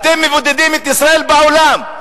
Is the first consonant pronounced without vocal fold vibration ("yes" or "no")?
yes